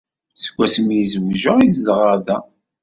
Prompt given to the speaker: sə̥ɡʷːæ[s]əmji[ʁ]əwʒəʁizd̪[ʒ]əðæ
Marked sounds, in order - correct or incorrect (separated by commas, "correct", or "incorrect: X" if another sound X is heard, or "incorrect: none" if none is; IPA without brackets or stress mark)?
correct, incorrect: z, incorrect: ʁ